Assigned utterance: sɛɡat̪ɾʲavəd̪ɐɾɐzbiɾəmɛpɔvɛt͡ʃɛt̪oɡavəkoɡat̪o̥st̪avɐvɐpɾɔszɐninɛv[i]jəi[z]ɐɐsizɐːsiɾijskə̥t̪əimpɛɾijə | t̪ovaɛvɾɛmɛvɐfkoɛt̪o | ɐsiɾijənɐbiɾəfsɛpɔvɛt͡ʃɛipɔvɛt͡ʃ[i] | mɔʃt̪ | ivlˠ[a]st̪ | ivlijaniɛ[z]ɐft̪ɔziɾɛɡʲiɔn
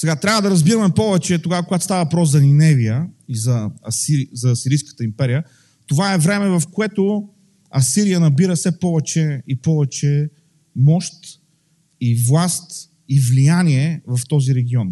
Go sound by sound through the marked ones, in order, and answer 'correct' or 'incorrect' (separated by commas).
correct, correct, incorrect, correct, incorrect